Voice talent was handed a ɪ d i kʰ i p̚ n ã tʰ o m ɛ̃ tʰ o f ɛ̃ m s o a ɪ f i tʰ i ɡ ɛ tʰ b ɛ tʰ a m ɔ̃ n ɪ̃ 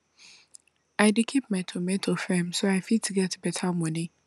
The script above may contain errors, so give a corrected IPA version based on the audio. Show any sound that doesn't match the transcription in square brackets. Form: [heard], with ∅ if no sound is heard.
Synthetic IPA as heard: a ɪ d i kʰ i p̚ [m] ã tʰ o m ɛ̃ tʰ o f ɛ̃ m s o a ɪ f i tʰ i ɡ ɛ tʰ b ɛ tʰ a m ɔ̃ n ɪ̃